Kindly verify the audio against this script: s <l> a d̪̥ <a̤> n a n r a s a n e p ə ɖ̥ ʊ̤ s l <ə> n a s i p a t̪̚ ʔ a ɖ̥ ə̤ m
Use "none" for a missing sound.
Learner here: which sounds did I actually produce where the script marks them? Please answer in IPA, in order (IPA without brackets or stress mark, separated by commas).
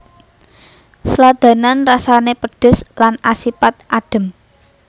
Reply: l, a̤, a